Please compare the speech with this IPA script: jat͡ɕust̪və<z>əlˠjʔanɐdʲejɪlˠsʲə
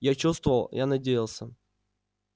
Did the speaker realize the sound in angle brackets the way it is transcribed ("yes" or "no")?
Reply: no